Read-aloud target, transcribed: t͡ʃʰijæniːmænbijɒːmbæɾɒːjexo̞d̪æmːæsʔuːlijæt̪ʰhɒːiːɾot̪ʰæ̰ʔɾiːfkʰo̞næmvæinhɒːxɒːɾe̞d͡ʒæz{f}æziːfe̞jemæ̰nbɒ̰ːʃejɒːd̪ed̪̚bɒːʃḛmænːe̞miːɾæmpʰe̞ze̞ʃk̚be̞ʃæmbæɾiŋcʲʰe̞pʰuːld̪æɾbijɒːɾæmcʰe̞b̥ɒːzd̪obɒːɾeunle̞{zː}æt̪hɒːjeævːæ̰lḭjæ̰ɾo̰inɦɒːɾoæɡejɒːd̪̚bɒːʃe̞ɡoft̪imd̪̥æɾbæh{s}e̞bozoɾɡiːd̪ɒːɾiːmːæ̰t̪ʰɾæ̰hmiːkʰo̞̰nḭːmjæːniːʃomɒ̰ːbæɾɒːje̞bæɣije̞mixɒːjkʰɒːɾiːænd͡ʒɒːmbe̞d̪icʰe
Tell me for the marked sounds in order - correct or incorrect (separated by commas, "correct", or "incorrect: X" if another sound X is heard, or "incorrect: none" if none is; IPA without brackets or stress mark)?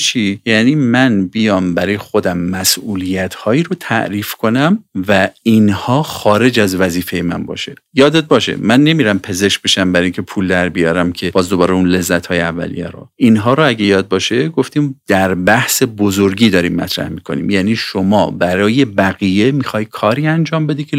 incorrect: v, correct, correct